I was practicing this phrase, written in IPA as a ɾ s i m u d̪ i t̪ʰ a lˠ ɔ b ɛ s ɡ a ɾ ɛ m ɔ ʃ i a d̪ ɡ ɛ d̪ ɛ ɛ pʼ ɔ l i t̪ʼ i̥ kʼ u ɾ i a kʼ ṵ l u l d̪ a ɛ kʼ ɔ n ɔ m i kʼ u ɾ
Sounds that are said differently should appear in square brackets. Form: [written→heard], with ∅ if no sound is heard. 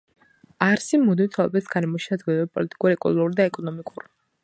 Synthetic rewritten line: a ɾ s i m u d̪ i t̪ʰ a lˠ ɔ b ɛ s ɡ a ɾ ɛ m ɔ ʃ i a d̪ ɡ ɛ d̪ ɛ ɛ pʼ ɔ l i t̪ʼ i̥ kʼ u ɾ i [a→ɛ] kʼ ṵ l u [l→ɾ] d̪ a ɛ kʼ ɔ n ɔ m i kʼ u ɾ